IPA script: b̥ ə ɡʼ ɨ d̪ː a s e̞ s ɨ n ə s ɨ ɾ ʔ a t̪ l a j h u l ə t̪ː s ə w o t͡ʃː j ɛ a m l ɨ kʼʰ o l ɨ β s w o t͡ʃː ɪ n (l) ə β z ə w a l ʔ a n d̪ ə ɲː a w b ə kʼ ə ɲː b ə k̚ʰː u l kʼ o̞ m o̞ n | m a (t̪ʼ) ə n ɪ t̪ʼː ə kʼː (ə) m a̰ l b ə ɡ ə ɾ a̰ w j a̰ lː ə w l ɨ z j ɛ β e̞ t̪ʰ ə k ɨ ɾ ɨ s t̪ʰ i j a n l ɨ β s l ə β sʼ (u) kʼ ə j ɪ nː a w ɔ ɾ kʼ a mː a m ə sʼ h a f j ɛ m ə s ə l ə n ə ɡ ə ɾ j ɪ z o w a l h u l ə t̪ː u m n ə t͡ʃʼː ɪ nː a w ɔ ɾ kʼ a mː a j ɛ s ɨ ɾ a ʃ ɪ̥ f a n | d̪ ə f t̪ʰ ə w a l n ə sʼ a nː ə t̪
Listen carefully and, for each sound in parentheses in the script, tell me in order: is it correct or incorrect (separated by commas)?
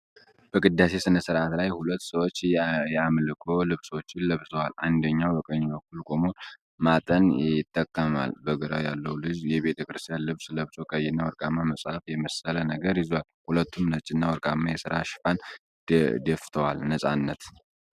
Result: correct, correct, correct, incorrect